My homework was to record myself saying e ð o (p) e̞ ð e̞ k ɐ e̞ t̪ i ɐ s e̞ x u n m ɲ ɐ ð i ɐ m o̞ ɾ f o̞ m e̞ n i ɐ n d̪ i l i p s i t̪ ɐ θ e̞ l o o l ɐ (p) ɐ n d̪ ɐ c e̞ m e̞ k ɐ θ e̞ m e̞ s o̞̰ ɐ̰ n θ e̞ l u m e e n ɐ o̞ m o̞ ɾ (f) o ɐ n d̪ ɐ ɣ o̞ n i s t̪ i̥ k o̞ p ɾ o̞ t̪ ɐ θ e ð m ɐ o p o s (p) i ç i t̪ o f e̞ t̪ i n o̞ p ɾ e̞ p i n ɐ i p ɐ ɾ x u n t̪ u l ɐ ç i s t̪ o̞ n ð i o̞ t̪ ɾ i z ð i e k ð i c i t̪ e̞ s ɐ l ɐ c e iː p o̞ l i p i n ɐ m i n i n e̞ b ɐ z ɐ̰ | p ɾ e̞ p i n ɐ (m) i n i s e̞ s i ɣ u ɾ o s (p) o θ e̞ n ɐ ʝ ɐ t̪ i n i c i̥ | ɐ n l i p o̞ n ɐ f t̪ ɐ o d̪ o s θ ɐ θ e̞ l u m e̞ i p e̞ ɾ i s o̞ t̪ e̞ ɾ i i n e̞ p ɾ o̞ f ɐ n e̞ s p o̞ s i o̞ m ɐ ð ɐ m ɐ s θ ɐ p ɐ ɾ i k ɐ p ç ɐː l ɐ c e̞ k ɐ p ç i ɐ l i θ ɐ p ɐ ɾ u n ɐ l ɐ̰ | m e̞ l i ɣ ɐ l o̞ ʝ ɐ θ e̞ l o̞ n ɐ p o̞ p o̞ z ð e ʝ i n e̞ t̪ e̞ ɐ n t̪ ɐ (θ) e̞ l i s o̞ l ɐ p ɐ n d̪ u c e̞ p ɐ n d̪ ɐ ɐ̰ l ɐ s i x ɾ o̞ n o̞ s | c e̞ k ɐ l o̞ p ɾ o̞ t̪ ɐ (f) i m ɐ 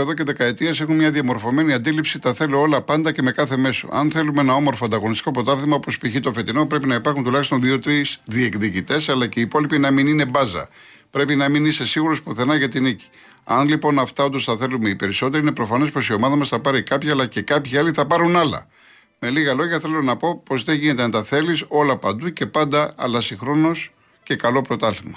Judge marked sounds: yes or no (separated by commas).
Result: no, yes, yes, yes, yes, yes, yes, no